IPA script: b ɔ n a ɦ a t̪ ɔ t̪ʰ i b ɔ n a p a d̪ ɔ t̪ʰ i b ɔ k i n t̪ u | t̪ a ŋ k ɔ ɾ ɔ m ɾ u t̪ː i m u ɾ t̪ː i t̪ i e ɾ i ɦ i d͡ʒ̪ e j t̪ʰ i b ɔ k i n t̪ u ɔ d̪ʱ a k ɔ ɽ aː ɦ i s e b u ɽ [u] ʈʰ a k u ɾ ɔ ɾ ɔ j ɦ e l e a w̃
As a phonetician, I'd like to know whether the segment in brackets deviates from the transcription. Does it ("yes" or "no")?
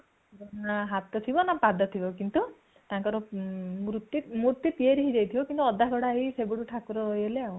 no